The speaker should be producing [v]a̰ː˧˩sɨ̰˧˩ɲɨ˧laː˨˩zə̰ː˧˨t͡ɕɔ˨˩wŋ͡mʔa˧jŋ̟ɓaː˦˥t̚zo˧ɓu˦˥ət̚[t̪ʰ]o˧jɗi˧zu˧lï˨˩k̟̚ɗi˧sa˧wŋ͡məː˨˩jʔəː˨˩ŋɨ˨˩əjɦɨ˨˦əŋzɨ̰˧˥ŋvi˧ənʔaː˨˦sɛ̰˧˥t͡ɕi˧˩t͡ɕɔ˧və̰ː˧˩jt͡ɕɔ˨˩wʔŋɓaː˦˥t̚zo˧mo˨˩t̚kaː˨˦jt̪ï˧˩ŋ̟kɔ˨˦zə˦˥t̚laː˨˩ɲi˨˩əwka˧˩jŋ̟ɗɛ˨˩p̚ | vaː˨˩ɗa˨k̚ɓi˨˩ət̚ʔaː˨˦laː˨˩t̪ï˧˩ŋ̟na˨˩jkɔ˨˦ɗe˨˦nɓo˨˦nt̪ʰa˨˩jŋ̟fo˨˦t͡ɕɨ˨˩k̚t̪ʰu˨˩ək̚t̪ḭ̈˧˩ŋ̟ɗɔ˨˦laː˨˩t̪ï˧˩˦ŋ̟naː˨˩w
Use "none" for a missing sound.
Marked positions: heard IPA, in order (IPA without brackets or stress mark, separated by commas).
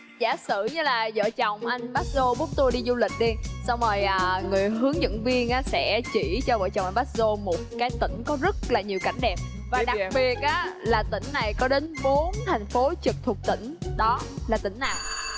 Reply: z, t̪